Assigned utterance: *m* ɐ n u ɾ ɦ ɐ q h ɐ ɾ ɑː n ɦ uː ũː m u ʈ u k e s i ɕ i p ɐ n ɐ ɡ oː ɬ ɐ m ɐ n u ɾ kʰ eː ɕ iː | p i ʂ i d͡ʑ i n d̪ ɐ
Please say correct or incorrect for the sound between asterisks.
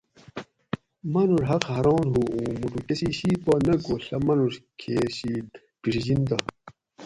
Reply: correct